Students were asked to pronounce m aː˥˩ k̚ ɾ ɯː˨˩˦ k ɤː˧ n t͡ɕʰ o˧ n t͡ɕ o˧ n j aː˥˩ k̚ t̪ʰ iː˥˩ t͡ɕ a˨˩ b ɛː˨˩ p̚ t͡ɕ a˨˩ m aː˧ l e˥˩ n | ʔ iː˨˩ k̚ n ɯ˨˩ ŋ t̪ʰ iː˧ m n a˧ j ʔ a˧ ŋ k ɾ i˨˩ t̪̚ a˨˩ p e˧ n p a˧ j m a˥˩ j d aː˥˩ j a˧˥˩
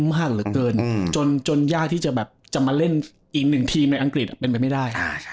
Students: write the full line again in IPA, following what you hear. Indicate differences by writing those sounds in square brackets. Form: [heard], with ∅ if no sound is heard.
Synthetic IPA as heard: m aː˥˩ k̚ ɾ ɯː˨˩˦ k ɤː˧ n [t͡ɕ] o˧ n t͡ɕ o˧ n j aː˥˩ k̚ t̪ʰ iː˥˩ t͡ɕ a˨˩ b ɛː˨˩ p̚ t͡ɕ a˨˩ m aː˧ l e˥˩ n | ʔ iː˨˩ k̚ n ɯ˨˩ ŋ t̪ʰ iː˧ m n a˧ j ʔ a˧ ŋ k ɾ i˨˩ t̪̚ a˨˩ p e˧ n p a˧ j m a˥˩ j d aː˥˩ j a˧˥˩